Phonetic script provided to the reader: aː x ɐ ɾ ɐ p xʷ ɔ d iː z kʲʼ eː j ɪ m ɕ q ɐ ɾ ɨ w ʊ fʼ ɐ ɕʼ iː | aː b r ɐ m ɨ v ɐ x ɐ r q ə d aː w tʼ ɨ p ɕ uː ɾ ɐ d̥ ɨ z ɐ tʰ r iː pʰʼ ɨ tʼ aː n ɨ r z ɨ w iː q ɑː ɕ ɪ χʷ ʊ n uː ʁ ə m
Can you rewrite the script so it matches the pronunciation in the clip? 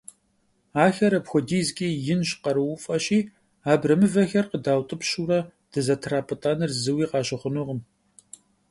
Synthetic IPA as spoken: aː x ɐ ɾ ɐ p xʷ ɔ d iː z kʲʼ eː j ɪ n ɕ q ɐ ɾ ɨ w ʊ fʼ ɐ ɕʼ iː | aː b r ɐ m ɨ v ɐ x ɐ r q ə d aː w tʼ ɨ p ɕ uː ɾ ɐ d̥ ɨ z ɐ tʰ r aː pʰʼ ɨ tʼ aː n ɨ r z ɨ w iː q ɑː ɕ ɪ χʷ ʊ n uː ʁ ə m